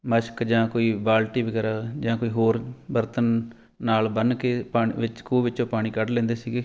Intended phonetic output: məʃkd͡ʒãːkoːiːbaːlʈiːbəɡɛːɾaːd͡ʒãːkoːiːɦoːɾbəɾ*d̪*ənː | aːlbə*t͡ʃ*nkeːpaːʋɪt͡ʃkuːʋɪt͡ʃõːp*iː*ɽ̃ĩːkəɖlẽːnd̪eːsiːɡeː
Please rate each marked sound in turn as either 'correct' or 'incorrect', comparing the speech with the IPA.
incorrect, incorrect, incorrect

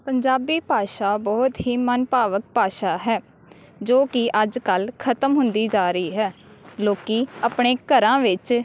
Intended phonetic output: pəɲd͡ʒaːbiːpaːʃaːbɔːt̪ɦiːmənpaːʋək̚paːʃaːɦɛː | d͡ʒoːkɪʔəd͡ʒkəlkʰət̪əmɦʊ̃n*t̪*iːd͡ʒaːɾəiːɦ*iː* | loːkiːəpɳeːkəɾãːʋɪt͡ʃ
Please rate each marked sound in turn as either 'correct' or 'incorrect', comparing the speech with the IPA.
incorrect, incorrect

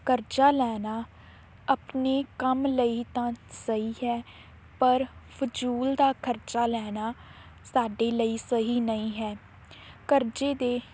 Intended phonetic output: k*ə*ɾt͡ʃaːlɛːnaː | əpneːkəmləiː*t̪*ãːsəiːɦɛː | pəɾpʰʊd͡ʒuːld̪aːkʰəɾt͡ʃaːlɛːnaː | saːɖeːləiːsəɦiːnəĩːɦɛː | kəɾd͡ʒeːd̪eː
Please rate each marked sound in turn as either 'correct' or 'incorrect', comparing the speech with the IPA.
correct, correct

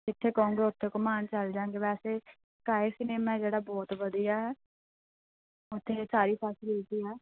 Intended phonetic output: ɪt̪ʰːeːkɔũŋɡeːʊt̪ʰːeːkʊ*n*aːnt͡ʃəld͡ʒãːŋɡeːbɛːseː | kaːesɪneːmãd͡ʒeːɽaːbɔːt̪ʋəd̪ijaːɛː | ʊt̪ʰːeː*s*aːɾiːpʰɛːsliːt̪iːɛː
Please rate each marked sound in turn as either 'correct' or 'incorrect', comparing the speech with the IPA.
incorrect, correct

